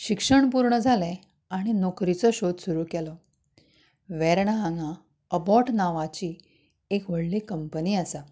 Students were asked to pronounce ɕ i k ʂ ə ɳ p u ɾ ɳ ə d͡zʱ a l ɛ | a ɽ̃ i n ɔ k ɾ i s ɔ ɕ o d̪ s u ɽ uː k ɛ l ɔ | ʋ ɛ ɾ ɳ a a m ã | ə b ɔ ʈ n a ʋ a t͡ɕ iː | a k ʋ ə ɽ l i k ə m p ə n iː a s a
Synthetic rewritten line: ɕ i k ʂ ə ɳ p u ɾ ɳ ə d͡zʱ a l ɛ | a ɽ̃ i n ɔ k ɾ i t͡s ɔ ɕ o d̪ s u ɾ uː k ɛ l ɔ | ʋ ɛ ɾ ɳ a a ŋ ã | ə b ɔ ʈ n a ʋ a t͡ɕ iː | e k ʋ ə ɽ l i k ə m p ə n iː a s a